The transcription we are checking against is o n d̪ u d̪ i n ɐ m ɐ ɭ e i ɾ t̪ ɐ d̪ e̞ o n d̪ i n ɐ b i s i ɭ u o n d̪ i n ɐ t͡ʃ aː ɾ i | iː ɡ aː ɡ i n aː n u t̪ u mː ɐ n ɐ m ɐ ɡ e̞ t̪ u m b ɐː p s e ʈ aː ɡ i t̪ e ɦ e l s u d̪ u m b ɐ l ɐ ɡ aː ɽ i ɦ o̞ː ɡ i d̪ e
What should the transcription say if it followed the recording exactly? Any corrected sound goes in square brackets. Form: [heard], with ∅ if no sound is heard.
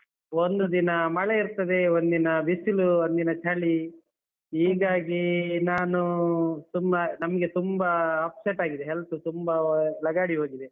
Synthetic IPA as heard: o n d̪ u d̪ i n ɐ m ɐ ɭ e i ɾ t̪ ɐ d̪ e̞ o n d̪ i n ɐ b i s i [l] u o n d̪ i n ɐ t͡ʃ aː [ɭ] i | iː ɡ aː ɡ i n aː n u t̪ u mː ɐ n ɐ m ɐ ɡ e̞ t̪ u m b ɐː p s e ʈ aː ɡ i [d̪] e ɦ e l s u [t̪] u m b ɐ l ɐ ɡ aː ɽ i ɦ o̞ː ɡ i d̪ e